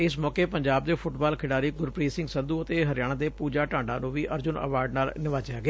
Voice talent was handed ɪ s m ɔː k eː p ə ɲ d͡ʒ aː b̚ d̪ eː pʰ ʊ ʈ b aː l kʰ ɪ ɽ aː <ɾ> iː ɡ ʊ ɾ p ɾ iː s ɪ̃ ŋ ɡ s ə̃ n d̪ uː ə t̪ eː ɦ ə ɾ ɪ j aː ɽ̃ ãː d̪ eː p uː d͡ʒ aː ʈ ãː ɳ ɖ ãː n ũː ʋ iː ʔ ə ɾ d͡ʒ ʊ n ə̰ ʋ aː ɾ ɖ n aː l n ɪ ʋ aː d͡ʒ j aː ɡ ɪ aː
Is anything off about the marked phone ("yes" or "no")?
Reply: no